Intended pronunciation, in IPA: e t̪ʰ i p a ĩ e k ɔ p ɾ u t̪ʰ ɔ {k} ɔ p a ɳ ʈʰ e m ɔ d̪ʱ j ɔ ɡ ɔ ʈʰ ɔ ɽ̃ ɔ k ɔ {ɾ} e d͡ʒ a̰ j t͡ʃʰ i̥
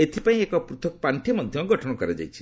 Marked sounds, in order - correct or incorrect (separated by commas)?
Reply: correct, correct